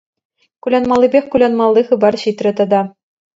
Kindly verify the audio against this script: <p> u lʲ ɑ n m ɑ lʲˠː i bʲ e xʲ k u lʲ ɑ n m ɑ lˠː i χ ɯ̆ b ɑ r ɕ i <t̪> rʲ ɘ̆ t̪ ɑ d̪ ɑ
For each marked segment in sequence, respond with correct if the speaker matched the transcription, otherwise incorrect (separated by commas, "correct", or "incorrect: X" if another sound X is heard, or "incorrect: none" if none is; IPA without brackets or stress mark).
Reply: incorrect: k, correct